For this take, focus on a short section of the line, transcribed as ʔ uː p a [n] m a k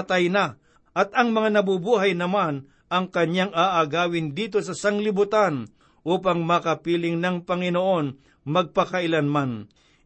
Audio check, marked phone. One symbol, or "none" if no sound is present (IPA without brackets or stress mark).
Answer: ŋ